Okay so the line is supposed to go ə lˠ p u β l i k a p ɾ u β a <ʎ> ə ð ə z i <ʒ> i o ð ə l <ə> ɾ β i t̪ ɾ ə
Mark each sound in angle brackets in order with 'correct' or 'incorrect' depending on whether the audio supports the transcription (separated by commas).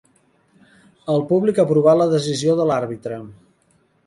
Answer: incorrect, incorrect, incorrect